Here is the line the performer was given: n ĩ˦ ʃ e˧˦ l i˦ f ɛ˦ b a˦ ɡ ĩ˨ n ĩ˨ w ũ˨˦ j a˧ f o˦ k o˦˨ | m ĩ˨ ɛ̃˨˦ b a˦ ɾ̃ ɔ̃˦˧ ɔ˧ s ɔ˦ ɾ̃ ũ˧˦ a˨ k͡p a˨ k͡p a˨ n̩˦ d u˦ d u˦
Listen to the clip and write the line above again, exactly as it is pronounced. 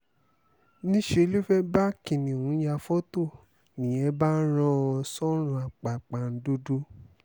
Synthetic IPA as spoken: n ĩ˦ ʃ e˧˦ l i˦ f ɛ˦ b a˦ k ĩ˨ n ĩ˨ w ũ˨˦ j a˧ f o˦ t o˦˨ | n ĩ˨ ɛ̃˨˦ b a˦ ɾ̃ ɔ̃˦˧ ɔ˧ s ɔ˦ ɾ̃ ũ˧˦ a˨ k͡p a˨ k͡p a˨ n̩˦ d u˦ d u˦

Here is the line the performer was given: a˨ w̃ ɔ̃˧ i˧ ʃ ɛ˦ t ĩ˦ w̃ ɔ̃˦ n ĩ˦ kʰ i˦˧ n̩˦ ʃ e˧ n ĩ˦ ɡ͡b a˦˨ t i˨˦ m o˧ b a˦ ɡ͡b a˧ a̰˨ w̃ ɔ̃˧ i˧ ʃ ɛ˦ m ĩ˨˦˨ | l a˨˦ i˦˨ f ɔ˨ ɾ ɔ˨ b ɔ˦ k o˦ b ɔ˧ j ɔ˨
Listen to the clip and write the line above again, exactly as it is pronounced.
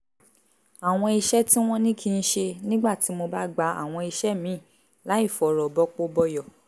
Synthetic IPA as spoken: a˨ w̃ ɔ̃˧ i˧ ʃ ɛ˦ t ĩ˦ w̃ ɔ̃˦ n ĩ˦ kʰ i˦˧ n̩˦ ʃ e˧ n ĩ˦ ɡ͡b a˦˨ t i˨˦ m o˧ b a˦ ɡ͡b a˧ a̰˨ w̃ ɔ̃˧ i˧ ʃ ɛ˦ m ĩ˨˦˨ | l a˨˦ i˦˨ f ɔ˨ ɾ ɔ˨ b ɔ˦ k͡p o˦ b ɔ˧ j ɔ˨

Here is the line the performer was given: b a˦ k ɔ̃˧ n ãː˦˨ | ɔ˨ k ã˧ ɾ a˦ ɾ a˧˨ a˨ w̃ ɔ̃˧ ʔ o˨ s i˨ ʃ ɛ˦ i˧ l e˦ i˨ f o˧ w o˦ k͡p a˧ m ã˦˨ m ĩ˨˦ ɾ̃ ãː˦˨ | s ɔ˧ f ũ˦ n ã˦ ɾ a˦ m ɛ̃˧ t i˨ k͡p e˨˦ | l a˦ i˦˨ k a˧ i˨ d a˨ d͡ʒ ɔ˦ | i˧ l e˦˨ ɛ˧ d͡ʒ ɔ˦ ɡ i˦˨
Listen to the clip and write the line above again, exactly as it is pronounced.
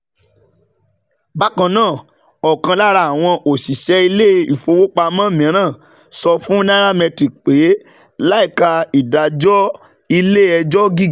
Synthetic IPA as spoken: b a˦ k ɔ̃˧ n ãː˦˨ | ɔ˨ k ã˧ l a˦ ɾ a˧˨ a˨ w̃ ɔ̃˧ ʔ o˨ s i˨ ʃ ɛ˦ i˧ l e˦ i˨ f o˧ w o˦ k͡p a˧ m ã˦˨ m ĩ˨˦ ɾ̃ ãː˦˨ | s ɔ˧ f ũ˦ n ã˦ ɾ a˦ m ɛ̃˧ t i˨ k͡p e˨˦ | l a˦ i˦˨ k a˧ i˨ d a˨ d͡ʒ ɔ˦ | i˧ l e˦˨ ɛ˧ d͡ʒ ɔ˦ ɡ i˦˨

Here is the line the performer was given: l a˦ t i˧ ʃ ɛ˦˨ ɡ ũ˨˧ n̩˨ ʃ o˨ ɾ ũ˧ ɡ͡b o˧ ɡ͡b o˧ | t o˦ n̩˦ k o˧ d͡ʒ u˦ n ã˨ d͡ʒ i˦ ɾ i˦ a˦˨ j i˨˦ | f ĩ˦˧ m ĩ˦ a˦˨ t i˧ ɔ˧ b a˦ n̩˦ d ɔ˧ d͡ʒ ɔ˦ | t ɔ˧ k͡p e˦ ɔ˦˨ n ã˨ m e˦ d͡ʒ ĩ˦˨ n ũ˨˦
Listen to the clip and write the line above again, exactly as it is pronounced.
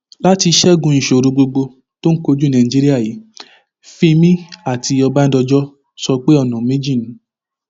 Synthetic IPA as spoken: l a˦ t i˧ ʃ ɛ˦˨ ɡ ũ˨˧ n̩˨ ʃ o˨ ɾ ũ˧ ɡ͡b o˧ ɡ͡b o˧ | t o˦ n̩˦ k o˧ d͡ʒ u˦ n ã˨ d͡ʒ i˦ ɾ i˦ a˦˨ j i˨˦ | f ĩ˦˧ m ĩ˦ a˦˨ t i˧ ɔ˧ b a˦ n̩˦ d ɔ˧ d͡ʒ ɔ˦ | s ɔ˧ k͡p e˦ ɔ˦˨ n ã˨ m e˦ d͡ʒ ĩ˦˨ n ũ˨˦

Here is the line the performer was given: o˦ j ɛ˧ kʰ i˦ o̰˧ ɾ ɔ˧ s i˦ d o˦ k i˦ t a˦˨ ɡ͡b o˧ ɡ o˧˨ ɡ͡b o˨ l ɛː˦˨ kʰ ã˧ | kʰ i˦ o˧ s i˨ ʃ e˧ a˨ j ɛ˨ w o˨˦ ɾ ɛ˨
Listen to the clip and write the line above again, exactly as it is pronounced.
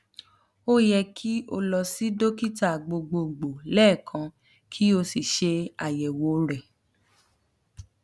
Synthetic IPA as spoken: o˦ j ɛ˧ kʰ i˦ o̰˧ l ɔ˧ s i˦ d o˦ k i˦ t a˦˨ ɡ͡b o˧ ɡ͡b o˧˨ ɡ͡b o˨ l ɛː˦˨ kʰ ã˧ | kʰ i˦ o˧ s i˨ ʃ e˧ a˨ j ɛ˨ w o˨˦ ɾ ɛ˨

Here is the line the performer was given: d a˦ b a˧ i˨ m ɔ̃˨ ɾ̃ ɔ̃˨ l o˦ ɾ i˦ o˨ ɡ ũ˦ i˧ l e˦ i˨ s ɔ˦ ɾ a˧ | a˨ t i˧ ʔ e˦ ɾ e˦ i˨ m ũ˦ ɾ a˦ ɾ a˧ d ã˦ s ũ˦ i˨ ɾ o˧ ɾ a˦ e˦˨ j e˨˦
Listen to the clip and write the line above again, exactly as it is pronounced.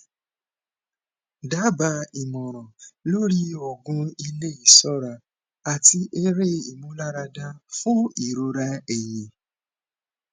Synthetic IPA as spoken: d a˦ b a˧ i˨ m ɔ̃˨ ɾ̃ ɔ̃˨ l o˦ ɾ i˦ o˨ ɡ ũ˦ i˧ l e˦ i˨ s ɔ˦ ɾ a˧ | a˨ t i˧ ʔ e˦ ɾ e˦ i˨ m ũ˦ l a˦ ɾ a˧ d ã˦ f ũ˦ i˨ ɾ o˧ ɾ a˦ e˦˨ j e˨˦

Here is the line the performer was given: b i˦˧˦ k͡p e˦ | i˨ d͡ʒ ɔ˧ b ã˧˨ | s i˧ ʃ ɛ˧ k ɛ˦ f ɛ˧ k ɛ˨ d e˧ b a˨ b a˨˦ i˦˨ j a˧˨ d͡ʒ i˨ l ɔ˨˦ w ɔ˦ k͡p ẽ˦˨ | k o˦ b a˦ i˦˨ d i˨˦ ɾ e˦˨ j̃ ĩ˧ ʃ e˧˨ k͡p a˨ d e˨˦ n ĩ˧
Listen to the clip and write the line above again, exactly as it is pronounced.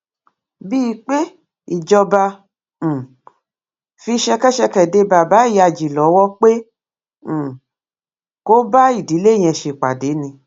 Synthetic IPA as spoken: b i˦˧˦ k͡p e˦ | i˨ d͡ʒ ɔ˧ b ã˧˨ | f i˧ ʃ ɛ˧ k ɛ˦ ʃ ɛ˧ k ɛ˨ d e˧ b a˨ b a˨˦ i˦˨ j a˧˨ d͡ʒ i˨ l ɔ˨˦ w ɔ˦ k͡p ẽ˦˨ | k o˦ b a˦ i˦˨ d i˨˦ l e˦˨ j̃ ɛ̃˧ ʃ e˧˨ k͡p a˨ d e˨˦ n ĩ˧

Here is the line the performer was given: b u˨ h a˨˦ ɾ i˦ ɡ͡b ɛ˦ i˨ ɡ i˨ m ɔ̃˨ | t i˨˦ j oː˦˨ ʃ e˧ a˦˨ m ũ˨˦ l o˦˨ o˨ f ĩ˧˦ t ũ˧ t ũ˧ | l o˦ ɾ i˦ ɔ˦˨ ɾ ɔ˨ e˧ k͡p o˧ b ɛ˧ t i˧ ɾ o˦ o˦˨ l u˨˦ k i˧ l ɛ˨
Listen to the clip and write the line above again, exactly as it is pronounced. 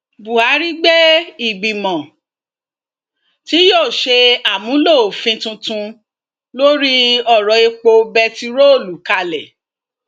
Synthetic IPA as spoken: b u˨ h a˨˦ ɾ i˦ ɡ͡b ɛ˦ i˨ ɡ͡b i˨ m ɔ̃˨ | t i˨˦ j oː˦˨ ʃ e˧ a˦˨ m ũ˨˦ l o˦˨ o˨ f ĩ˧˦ t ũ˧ t ũ˧ | l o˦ ɾ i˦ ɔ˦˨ ɾ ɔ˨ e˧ k͡p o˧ b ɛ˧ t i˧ ɾ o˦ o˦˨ l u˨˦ k a˧ l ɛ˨

